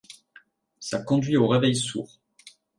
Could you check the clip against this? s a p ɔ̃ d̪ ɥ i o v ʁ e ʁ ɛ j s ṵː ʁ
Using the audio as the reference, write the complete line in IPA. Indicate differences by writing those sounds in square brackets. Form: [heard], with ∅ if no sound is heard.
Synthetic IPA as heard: s a [k] ɔ̃ d̪ ɥ i o [∅] ʁ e [v] ɛ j s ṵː ʁ

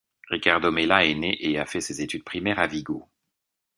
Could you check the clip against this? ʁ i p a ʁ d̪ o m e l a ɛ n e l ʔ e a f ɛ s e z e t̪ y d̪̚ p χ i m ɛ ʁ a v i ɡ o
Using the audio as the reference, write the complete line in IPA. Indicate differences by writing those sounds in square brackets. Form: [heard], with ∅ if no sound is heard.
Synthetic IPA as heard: ʁ i [k] a ʁ d̪ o m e l a ɛ n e [∅] ʔ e a f ɛ s e z e t̪ y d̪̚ p χ i m ɛ ʁ a v i ɡ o

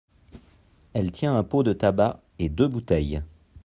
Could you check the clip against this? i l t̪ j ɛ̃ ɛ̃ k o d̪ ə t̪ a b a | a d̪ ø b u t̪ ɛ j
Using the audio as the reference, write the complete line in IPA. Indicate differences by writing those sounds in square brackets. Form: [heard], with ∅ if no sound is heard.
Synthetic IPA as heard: [ɛ] l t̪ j ɛ̃ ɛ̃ [p] o d̪ ə t̪ a b a | [e] d̪ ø b u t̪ ɛ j

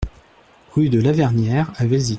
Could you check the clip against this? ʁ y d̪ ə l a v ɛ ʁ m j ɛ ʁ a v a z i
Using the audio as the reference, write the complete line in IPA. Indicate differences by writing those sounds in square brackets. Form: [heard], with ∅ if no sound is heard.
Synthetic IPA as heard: ʁ y d̪ ə l a v ɛ ʁ [n] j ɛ ʁ a v [ɛ] z i

